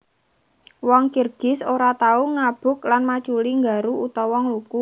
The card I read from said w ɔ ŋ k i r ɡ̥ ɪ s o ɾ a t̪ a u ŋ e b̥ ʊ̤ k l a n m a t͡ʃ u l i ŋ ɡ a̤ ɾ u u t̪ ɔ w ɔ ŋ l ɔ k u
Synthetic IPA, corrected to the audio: w ɔ ŋ k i r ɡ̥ ɪ s o ɾ a t̪ a u ŋ a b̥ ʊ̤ k l a n m a t͡ʃ u l i ŋ ɡ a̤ ɾ u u t̪ ɔ w ɔ ŋ l u k u

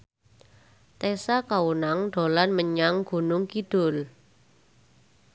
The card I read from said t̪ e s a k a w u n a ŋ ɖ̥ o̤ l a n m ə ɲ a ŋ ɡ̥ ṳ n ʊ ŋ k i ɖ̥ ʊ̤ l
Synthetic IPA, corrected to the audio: t̪ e s a k a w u n a ŋ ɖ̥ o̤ l a n m ə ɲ a ŋ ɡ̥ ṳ n ʊ ŋ k i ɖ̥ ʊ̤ l

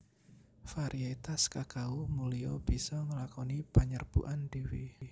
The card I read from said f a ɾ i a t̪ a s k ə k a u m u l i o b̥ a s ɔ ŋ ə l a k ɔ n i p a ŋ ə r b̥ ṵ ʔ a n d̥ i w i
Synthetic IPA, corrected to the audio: f a ɾ i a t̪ a s k a k a u m u l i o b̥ i s ɔ ŋ ə l a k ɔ n i p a ɲ ə r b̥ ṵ ʔ a n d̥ i w i

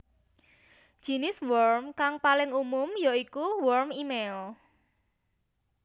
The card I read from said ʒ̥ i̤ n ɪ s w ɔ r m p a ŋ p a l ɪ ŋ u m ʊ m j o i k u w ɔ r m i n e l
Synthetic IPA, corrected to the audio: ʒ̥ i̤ n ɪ s w ɔ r m k a ŋ p a l ɪ ŋ u m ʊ m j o i k u w ɔ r m i m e l

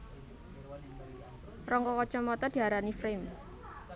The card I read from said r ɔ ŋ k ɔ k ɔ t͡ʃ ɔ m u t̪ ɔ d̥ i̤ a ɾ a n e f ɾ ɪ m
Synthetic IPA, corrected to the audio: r ɔ ŋ k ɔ k ɔ t͡ʃ ɔ m ɔ t̪ ɔ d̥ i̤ a ɾ a n i f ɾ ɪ m

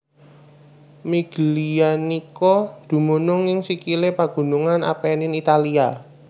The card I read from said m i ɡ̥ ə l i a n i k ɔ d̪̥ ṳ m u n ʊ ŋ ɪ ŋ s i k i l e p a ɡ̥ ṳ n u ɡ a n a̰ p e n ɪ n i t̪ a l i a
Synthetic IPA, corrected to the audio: m i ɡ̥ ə l i a n i k ɔ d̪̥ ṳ m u n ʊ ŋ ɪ ŋ s i k i l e p a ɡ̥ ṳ n u ŋ a n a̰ p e n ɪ n i t̪ a l i a

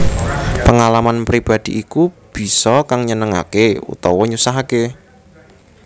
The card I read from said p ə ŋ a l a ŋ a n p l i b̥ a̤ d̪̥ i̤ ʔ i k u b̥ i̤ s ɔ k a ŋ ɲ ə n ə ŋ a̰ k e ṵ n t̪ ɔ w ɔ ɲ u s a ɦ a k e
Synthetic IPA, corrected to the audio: p ə ŋ a l a m a n p ɾ i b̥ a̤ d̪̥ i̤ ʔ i k u b̥ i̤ s ɔ k a ŋ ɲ ə n ə ŋ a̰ k e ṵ t̪ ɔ w ɔ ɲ u s a ɦ a k e

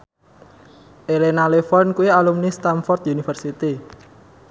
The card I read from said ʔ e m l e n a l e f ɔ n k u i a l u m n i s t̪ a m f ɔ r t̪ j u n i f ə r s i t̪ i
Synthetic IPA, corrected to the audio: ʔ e l e n a l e f ɔ n k u i a l u m n i s t̪ a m f ɔ r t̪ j u n i f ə r s i t̪ i

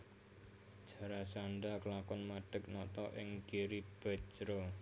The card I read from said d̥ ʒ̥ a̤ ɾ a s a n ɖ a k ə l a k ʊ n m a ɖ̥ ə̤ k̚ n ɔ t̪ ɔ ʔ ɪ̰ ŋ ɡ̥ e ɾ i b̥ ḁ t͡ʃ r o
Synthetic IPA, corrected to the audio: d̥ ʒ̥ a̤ ɾ a s a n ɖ a k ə l a k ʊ n m a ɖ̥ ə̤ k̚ n ɔ t̪ ɔ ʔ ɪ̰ ŋ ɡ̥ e ɾ i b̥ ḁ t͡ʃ ɾ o

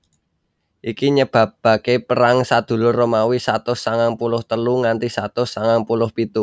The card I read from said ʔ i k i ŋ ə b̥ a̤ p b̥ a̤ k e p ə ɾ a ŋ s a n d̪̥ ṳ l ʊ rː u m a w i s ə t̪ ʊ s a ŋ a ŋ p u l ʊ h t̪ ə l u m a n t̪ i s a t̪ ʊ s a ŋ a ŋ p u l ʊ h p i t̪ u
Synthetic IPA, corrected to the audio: ʔ i k i ɲ ə b̥ a̤ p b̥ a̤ k e p ə ɾ a ŋ s a d̪̥ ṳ l ʊ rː o m a w i s a t̪ ʊ s a ŋ a ŋ p u l ʊ h t̪ ə l u ŋ a n t̪ i s a t̪ ʊ s a ŋ a ŋ p u l ʊ h p i t̪ u

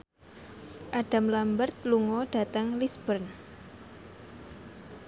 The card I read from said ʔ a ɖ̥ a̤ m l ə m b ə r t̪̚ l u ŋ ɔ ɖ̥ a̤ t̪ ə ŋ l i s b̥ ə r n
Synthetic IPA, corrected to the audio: ʔ a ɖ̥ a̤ m l a m b ə r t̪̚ l u ŋ ɔ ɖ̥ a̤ t̪ ə ŋ l i s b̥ ə r n

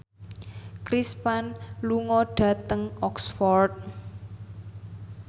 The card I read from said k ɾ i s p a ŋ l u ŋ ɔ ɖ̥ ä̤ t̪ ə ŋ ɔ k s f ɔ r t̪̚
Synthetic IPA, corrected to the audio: k ɾ i s p a n l u ŋ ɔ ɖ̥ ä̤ t̪ ə ŋ ɔ k s f ɔ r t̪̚

